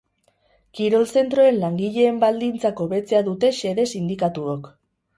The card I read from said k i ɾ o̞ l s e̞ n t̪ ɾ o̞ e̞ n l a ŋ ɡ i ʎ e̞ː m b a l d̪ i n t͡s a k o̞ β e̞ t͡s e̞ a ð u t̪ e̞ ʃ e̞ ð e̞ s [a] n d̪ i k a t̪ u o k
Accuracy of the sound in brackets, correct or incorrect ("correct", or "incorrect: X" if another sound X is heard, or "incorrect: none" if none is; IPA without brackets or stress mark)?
incorrect: i